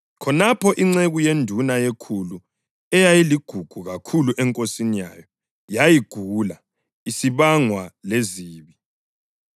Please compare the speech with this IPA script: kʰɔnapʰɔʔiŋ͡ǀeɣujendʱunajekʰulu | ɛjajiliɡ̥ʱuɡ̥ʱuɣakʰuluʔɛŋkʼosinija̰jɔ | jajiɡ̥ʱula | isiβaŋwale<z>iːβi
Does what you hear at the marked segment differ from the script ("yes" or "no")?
no